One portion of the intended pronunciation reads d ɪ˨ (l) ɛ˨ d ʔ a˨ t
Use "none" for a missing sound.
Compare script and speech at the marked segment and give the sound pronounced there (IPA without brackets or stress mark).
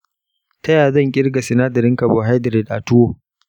ɾ